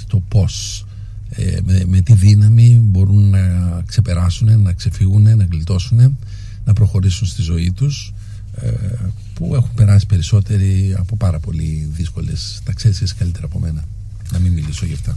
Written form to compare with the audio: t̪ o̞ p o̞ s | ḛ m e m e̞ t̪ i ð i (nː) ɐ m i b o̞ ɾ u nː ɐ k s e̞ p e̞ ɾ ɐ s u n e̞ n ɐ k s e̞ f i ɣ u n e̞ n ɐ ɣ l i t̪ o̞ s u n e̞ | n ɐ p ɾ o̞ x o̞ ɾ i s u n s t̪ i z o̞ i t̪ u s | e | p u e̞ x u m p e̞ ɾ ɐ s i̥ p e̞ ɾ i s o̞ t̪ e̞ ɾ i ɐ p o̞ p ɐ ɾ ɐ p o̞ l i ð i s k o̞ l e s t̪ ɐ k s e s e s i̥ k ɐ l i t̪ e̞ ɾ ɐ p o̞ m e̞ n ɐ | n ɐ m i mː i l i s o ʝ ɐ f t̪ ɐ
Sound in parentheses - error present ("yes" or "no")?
yes